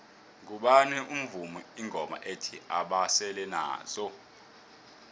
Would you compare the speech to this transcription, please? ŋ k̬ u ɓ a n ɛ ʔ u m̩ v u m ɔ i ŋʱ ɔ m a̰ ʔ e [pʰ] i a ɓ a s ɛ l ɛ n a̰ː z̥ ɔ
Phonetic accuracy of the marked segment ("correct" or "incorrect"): incorrect